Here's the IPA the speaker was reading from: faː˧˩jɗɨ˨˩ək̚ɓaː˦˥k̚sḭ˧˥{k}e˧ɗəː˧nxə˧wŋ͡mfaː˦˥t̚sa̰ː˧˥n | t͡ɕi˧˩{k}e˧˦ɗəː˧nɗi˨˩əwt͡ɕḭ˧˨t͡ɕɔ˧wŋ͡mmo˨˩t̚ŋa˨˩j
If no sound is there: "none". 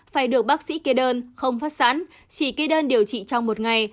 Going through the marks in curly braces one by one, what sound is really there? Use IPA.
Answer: k, k

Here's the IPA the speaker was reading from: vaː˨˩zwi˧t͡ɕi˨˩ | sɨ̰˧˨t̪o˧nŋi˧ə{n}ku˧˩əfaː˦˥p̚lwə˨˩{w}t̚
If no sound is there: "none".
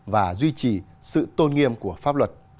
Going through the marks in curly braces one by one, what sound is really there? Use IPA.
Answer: m, none

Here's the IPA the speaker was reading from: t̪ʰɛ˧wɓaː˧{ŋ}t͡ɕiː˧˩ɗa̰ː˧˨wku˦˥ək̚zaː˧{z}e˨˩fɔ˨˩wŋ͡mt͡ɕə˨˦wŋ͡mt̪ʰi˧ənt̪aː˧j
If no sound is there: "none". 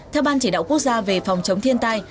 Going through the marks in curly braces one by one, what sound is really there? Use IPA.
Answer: n, v

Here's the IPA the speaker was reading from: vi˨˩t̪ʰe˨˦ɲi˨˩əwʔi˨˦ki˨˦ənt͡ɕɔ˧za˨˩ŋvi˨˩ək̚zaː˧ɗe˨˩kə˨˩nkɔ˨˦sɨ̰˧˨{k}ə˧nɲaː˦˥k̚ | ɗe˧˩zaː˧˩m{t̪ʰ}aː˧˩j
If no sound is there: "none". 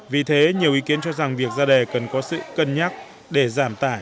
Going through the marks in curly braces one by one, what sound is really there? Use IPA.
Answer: k, t̪

